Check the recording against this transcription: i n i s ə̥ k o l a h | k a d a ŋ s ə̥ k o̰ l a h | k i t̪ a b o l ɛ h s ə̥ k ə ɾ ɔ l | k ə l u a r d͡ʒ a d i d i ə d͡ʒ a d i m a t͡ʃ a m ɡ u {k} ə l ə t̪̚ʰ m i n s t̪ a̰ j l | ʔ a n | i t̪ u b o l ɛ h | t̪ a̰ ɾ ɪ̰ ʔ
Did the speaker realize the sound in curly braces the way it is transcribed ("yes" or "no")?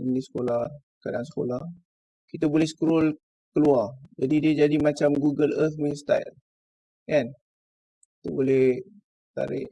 no